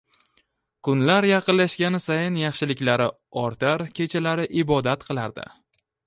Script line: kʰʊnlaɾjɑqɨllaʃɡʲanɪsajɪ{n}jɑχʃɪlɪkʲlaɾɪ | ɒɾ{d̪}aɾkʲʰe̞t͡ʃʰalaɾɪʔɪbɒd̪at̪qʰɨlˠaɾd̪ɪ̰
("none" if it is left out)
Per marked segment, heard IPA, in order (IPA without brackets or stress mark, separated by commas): n, t̪